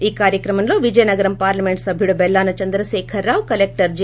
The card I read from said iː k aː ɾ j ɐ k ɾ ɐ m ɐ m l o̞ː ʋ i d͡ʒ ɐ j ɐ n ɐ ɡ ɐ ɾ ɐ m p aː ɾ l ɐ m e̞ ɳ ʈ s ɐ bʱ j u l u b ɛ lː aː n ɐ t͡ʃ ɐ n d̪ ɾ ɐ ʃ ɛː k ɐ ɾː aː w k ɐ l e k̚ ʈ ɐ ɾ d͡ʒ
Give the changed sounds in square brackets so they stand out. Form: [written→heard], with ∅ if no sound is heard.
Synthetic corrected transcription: iː k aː ɾ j ɐ k ɾ ɐ m ɐ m l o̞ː ʋ i d͡ʒ ɐ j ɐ n ɐ ɡ ɐ ɾ ɐ m p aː ɾ l ɐ m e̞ ɳ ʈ s ɐ bʱ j u [l→ɽ] u b ɛ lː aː n ɐ t͡ʃ ɐ n d̪ ɾ ɐ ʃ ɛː [k→kʰ] ɐ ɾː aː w k ɐ l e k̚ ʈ ɐ ɾ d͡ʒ

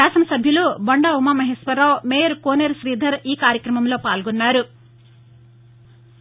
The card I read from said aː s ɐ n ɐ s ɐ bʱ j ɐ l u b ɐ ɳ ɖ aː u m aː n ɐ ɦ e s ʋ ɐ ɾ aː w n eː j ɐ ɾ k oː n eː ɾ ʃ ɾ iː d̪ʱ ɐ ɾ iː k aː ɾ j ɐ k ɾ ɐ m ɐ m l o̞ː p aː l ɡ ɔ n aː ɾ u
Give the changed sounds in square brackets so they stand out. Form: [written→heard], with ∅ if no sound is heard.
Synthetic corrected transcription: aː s ɐ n ɐ s ɐ bʱ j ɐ l u b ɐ ɳ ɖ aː u m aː [n→m] ɐ ɦ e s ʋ ɐ ɾ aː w [n→m] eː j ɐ ɾ k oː n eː ɾ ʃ ɾ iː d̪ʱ ɐ ɾ iː k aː ɾ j ɐ k ɾ ɐ m ɐ m l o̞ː p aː l ɡ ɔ [n→nː] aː ɾ u

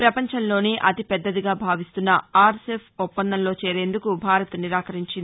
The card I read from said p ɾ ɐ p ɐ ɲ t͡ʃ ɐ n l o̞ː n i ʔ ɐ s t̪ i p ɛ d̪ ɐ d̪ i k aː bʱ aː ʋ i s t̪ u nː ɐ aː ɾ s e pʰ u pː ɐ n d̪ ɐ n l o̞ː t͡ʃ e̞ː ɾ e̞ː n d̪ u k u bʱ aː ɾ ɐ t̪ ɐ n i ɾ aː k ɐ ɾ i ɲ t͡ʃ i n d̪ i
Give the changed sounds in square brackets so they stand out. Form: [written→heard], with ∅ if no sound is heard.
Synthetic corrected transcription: p ɾ ɐ p ɐ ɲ t͡ʃ ɐ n l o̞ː n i ʔ ɐ [s→∅] t̪ i p ɛ [d̪→d̪ː] ɐ d̪ i [k→ɡ] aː bʱ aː ʋ i s t̪ u nː ɐ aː ɾ s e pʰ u pː ɐ n d̪ ɐ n l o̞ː t͡ʃ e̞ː ɾ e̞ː n d̪ u k u bʱ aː ɾ ɐ t̪ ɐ n i ɾ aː k ɐ ɾ i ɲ t͡ʃ i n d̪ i

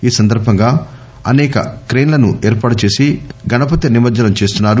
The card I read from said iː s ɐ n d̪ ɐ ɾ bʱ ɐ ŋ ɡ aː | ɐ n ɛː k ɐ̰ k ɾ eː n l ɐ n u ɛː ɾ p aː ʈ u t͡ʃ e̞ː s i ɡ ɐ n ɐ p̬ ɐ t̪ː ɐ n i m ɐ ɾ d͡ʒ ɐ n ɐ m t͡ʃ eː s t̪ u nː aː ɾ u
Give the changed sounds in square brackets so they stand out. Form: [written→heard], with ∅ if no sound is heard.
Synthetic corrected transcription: iː s ɐ n d̪ ɐ ɾ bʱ ɐ ŋ ɡ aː | ɐ n ɛː k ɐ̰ k ɾ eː n l ɐ n u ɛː ɾ p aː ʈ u t͡ʃ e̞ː s i ɡ ɐ n ɐ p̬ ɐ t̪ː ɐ n i m ɐ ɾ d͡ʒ ɐ n ɐ m t͡ʃ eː s t̪ u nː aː ɾ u

